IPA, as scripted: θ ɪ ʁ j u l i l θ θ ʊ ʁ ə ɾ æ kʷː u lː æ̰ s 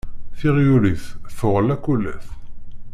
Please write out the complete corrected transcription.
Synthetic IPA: θ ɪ ʁ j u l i θ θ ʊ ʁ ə l æ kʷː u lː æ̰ θ